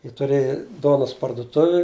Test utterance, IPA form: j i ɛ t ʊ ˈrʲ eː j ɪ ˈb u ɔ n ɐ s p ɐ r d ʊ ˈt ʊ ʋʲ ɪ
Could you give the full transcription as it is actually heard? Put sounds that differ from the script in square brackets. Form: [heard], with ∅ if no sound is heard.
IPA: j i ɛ t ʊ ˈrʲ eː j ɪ [ˈd] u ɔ n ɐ s p ɐ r d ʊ ˈt ʊ ʋʲ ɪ